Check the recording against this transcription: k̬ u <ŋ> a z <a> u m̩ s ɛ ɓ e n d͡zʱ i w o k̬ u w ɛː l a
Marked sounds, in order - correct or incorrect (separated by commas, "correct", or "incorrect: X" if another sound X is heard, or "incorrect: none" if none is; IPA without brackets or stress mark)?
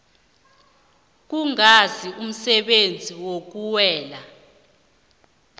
correct, incorrect: i